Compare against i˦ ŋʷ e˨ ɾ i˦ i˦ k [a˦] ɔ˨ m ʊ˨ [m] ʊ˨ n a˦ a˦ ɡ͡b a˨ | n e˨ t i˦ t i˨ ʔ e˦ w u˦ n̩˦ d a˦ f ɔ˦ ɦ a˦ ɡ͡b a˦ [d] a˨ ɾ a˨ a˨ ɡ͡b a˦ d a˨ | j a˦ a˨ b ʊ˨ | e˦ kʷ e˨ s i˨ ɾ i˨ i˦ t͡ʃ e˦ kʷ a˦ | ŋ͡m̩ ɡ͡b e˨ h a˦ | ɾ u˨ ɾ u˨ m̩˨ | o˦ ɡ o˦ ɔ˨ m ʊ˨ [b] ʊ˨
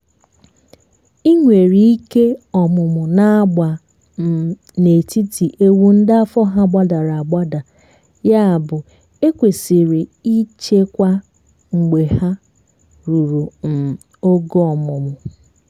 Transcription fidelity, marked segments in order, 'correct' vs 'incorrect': incorrect, correct, correct, incorrect

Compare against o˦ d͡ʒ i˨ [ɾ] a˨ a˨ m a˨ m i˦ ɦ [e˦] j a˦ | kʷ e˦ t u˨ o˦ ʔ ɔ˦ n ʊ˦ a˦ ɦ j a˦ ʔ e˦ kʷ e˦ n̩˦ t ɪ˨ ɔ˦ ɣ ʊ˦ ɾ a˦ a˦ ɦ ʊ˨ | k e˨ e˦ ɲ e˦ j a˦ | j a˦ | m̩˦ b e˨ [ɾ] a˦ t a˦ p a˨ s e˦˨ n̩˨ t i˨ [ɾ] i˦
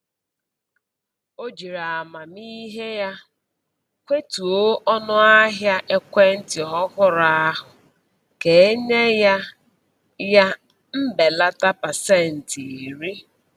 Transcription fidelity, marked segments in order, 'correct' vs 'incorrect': correct, correct, incorrect, correct

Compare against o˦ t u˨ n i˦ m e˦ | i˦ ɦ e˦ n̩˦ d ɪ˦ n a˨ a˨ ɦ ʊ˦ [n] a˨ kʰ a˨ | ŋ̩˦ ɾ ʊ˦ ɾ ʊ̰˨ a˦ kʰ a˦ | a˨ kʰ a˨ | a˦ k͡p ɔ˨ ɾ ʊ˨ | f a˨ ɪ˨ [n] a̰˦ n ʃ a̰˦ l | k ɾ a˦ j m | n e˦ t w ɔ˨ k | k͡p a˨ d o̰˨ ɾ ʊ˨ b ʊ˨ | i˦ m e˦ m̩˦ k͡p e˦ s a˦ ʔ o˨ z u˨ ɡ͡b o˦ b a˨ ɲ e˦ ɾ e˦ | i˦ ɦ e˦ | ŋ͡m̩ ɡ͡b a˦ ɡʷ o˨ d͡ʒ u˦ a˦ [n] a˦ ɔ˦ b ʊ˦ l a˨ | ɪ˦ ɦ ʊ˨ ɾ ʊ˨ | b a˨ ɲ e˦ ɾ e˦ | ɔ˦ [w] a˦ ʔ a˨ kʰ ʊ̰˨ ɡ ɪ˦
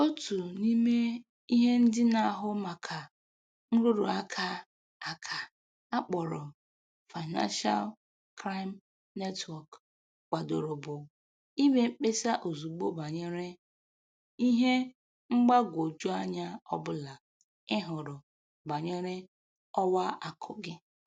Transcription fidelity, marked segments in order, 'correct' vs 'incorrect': incorrect, correct, incorrect, correct

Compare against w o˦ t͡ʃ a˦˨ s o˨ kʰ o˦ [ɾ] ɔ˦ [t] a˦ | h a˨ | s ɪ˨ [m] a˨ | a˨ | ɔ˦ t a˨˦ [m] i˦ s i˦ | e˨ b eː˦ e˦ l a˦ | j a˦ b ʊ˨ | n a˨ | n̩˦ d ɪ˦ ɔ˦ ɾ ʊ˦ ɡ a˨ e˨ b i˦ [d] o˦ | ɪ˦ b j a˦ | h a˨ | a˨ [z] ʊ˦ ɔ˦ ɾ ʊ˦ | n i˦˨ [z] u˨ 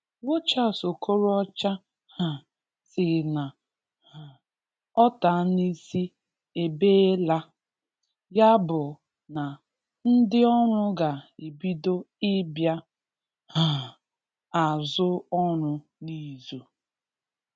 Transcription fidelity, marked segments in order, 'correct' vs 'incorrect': correct, incorrect, incorrect, incorrect, correct, correct, correct

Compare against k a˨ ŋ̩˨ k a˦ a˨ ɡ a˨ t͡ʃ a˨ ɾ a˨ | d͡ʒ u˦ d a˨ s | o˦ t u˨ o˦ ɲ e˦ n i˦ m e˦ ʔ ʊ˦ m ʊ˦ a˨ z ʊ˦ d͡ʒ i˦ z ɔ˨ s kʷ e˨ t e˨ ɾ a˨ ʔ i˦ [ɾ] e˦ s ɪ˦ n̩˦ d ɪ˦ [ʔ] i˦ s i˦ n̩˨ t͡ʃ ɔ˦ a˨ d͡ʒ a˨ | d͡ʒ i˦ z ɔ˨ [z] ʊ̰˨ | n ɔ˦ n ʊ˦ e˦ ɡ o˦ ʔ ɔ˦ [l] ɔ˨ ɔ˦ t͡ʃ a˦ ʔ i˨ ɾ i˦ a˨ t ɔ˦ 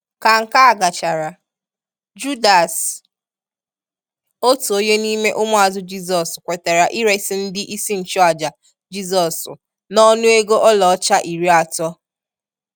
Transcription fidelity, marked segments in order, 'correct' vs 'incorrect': correct, correct, incorrect, correct

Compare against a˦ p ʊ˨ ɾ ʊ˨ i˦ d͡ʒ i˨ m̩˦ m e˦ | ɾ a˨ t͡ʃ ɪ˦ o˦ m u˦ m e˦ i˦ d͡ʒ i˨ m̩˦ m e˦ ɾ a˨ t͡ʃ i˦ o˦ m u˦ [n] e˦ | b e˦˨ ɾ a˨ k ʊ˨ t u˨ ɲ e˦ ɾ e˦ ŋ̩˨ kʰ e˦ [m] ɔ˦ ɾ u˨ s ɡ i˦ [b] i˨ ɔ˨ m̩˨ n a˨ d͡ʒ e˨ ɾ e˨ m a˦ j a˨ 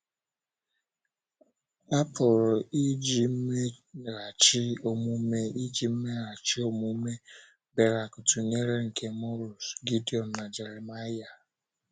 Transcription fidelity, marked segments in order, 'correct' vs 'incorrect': incorrect, correct, incorrect

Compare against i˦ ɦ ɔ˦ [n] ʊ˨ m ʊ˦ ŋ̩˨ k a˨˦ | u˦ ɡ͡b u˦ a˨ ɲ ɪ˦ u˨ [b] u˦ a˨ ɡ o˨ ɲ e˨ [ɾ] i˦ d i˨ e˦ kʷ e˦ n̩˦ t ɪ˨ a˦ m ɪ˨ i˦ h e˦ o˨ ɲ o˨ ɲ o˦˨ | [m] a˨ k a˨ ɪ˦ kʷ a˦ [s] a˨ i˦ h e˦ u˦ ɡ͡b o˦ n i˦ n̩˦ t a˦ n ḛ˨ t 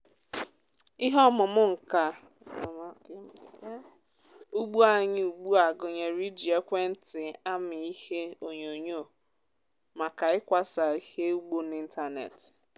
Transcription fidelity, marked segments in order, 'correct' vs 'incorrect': incorrect, incorrect, correct, correct, correct

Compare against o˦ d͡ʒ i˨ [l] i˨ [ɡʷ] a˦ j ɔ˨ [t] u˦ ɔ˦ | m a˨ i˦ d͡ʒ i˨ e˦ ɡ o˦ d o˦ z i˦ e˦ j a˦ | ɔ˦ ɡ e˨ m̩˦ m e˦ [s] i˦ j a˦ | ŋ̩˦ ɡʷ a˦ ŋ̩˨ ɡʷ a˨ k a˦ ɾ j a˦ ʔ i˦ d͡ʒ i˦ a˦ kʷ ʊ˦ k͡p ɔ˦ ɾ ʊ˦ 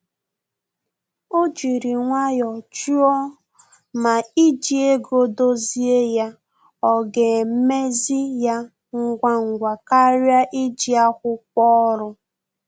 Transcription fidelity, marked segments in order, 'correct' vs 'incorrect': incorrect, incorrect, incorrect, incorrect

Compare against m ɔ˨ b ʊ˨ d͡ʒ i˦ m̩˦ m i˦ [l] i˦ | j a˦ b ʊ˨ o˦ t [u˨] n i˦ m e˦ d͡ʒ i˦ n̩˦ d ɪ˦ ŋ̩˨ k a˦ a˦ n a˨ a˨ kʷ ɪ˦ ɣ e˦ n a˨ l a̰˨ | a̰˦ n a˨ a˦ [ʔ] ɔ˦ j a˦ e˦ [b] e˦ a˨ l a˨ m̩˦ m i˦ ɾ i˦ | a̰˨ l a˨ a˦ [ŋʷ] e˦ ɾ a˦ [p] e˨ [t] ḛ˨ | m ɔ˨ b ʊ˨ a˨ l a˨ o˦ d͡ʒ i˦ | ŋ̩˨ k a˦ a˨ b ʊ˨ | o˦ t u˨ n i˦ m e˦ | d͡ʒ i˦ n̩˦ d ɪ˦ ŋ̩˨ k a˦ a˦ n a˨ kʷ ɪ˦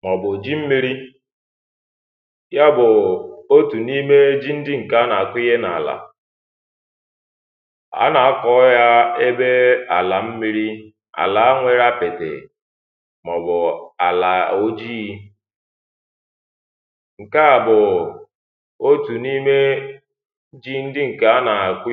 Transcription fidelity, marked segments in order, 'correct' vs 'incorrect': incorrect, correct, incorrect, correct, correct, correct, correct

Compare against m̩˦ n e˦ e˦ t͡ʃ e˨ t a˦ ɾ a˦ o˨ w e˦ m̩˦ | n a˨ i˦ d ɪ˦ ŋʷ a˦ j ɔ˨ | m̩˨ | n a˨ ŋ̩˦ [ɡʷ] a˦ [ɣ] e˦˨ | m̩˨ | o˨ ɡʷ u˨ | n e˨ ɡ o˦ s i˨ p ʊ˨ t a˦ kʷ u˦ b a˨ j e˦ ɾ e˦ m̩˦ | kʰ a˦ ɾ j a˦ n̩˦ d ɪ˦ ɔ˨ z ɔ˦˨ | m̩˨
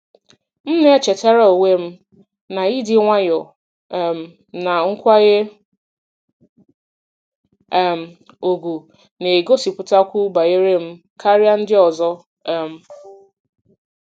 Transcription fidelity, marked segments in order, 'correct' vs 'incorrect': incorrect, correct

